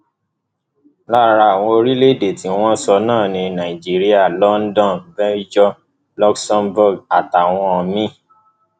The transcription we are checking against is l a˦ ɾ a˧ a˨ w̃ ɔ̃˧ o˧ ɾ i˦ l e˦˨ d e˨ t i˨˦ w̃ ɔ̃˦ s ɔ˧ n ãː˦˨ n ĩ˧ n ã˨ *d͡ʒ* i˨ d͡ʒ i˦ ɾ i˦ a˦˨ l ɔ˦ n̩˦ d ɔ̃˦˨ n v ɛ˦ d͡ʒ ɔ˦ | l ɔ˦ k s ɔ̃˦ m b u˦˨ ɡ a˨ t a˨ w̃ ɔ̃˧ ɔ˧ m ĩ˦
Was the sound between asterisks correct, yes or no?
no